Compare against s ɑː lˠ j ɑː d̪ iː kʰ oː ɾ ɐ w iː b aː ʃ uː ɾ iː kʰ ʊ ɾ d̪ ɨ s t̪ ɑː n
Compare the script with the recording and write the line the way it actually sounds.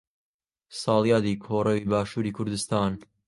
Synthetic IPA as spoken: s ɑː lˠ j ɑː d̪ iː kʰ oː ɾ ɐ w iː b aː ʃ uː ɾ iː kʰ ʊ ɾ d̪ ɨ s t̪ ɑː n